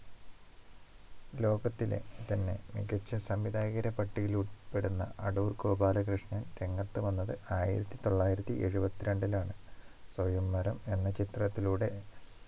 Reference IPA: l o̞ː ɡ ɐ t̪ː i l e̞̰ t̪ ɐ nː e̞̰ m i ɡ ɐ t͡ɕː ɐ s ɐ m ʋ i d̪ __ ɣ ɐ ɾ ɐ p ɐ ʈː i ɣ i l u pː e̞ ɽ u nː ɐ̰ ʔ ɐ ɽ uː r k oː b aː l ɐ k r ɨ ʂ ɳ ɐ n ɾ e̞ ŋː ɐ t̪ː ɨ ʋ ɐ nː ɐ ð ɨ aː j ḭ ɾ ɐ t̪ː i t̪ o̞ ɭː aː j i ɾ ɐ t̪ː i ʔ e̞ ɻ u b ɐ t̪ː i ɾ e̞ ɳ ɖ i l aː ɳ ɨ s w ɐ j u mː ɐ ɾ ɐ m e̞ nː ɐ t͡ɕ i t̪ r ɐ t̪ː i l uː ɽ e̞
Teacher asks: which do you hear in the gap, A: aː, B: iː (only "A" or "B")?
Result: A